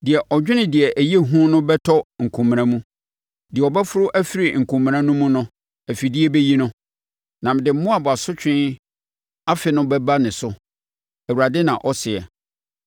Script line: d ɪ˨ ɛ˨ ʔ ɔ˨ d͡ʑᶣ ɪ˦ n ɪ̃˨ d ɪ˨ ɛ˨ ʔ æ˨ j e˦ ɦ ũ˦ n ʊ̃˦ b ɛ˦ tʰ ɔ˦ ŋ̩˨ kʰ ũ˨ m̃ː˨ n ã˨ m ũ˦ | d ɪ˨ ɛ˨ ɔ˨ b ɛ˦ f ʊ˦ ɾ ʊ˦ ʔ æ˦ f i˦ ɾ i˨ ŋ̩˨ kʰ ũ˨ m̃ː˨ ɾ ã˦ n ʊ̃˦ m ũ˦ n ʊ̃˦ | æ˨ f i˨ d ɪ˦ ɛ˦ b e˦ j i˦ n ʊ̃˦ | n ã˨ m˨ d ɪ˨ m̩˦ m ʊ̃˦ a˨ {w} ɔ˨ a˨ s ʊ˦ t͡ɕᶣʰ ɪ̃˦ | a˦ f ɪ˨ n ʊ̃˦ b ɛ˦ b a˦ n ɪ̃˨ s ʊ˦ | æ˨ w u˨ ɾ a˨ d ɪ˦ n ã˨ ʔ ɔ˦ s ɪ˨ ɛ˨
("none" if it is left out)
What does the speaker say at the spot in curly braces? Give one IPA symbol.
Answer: b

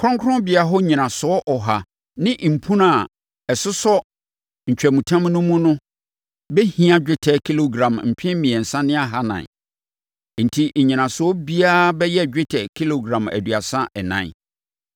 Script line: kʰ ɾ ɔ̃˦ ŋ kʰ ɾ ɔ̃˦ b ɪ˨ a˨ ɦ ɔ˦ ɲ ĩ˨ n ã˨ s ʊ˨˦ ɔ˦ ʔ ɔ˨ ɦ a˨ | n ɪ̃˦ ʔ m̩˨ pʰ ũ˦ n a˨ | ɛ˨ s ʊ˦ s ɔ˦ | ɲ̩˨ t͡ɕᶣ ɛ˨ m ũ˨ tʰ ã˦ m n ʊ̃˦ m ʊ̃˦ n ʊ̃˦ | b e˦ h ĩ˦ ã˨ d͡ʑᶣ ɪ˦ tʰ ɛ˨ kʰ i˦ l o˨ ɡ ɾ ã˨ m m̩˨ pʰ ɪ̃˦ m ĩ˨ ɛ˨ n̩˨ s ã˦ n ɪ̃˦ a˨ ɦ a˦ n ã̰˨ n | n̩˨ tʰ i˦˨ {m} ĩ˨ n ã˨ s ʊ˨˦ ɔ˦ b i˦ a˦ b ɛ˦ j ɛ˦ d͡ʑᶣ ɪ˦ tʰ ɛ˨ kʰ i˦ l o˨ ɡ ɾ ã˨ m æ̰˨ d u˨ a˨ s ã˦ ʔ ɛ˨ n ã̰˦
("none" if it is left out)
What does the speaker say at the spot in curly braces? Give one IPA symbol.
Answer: ɲ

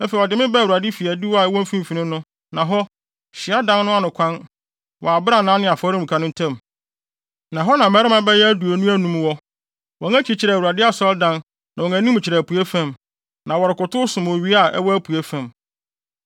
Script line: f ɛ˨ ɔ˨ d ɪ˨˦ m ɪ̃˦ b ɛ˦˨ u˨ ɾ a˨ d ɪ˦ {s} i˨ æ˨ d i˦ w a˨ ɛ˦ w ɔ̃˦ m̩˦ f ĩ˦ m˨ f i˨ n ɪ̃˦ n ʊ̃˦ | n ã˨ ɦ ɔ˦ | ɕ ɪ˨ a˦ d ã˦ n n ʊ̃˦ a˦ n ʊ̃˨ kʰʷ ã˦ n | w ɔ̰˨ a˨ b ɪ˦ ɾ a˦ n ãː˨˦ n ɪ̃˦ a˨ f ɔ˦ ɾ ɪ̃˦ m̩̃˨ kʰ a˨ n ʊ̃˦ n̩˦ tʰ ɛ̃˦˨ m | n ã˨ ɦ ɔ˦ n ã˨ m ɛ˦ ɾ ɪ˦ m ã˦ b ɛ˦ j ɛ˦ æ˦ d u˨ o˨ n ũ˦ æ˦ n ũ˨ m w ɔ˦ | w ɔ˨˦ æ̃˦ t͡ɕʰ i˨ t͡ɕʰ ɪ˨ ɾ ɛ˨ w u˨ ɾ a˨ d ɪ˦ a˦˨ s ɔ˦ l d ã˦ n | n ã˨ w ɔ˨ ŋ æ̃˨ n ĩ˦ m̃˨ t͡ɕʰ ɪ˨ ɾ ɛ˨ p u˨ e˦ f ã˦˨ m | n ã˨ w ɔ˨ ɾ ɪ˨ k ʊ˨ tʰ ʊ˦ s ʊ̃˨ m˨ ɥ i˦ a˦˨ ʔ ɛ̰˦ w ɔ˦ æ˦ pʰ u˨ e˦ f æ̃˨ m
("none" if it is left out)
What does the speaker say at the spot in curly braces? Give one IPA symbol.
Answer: f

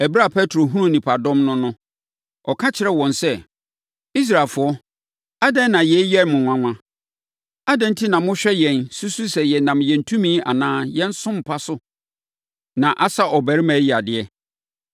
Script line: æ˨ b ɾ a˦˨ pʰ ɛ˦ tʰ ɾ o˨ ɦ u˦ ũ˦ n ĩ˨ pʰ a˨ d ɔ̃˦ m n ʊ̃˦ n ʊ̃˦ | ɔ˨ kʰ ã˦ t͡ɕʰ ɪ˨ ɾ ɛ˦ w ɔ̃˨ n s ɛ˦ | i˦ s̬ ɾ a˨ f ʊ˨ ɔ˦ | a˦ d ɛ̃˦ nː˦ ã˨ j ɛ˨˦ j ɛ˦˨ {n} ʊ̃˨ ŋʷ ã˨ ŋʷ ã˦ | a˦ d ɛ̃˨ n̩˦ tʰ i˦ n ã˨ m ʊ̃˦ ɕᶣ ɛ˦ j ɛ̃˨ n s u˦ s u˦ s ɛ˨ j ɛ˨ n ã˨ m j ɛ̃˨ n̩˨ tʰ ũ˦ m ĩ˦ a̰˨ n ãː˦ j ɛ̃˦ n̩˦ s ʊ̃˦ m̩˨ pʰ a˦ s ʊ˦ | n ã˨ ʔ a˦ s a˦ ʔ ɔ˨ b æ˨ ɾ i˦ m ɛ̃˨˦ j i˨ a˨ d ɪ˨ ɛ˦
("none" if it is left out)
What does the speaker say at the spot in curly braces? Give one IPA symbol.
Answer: m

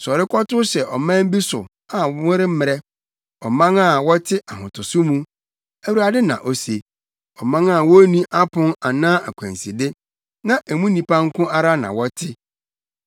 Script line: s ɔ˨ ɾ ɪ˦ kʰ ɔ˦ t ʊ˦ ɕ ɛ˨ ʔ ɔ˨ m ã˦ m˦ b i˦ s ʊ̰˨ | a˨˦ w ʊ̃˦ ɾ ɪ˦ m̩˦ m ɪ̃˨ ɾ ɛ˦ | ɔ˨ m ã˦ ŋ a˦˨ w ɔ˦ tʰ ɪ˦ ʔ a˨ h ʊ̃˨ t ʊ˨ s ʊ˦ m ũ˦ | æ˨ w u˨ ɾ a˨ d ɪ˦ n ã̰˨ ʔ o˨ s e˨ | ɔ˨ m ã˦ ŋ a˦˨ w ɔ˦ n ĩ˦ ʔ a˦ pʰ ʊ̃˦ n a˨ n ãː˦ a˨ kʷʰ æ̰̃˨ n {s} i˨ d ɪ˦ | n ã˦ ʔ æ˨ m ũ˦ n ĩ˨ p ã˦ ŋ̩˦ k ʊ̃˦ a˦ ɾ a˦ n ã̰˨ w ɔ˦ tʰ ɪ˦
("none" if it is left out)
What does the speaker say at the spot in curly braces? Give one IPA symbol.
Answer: s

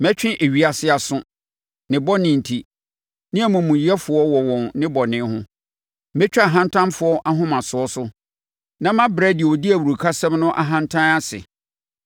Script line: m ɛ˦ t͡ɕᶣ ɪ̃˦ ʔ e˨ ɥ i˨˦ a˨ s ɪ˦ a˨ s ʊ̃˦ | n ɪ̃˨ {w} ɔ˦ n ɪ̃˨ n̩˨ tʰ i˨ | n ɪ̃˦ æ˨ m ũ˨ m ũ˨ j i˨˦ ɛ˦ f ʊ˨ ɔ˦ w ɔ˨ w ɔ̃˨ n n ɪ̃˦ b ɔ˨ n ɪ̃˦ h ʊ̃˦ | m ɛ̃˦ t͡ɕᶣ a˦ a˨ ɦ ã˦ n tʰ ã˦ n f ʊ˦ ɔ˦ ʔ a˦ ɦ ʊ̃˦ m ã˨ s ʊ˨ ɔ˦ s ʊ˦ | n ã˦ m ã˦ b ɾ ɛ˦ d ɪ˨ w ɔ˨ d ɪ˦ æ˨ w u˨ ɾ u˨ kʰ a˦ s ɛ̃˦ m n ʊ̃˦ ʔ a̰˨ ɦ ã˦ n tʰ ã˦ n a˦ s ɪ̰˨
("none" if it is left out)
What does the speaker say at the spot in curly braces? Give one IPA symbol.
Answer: b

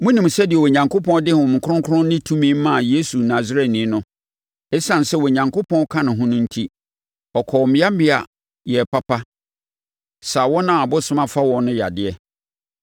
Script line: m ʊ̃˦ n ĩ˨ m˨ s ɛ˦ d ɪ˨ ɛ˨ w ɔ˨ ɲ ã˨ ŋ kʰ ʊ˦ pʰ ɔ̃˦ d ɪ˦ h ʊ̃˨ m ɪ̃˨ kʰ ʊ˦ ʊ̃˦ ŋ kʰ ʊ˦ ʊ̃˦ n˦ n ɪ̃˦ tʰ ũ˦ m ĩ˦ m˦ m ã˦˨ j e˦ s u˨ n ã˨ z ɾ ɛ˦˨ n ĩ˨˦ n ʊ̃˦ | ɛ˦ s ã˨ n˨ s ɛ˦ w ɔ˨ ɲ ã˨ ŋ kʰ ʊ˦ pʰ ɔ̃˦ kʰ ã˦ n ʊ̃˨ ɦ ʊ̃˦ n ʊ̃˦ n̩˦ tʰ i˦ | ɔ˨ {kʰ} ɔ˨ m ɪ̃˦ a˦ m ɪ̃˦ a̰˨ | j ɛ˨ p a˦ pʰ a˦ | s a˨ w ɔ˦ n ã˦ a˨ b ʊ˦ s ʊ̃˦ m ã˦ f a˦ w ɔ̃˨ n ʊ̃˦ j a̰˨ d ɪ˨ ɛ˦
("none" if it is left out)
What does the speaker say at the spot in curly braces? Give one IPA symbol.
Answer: kʰ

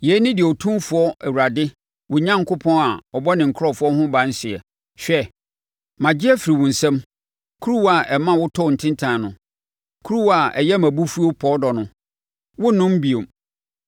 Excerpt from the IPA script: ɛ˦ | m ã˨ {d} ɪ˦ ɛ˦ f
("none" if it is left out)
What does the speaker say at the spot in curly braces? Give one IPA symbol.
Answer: d͡ʑ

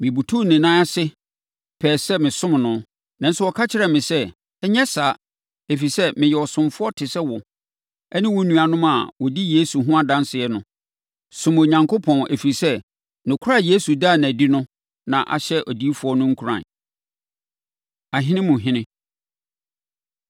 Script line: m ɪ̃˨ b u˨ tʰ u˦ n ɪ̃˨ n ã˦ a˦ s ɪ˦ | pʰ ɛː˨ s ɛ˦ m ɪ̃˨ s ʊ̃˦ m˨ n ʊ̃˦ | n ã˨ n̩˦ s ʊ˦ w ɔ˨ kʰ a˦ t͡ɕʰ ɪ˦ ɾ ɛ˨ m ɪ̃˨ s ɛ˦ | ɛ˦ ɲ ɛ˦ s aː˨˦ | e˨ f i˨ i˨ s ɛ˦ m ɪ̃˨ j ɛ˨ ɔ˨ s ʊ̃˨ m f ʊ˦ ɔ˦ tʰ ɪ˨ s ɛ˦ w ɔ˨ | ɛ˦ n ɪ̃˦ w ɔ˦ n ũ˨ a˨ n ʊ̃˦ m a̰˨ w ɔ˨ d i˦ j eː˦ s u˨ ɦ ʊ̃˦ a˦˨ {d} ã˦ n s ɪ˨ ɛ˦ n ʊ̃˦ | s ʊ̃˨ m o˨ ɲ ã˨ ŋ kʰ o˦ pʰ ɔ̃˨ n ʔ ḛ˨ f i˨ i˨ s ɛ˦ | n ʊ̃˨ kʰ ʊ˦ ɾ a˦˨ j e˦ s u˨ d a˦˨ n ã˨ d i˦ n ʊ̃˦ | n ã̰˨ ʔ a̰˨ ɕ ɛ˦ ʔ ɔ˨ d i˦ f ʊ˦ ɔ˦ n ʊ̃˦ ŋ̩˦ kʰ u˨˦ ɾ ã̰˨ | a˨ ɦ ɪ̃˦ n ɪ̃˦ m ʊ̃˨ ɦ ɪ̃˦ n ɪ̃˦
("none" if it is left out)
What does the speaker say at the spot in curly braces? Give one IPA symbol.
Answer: d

